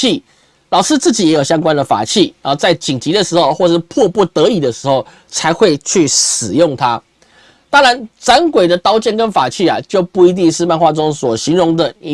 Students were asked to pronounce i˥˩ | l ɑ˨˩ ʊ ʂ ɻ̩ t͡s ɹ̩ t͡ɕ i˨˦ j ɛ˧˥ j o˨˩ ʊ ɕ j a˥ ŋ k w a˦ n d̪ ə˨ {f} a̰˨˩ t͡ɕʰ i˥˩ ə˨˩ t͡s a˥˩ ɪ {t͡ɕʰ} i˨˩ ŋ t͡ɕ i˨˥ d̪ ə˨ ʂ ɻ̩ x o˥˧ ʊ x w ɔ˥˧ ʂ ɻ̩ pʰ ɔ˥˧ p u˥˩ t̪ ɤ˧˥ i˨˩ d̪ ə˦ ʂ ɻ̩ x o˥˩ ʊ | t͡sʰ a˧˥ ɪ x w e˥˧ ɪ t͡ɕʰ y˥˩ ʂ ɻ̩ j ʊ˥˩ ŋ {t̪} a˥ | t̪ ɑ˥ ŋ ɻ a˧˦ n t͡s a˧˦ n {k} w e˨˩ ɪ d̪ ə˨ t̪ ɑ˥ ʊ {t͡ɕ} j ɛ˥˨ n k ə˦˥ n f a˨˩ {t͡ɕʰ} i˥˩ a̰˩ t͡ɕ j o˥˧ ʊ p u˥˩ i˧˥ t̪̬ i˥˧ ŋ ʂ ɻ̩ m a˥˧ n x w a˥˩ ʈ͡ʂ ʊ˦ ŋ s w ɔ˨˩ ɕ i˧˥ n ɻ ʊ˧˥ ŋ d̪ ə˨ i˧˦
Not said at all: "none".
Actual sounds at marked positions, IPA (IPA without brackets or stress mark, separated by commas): f, t͡ɕ, t̪ʰ, k, t͡ɕ, t͡ɕʰ